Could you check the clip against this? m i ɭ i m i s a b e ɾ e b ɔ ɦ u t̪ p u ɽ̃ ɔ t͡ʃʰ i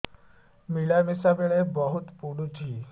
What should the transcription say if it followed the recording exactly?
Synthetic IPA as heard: m i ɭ a m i s a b e ɭ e b ɔ ɦ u t̪ p u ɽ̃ u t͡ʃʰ i